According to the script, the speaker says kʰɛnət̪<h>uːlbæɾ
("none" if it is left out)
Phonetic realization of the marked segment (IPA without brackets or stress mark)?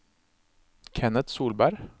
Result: s